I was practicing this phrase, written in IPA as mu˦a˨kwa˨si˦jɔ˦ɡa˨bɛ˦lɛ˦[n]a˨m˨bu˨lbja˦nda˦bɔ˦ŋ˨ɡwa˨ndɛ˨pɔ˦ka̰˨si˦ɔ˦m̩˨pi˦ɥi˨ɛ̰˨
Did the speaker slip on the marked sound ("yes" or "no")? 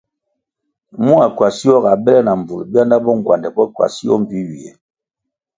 no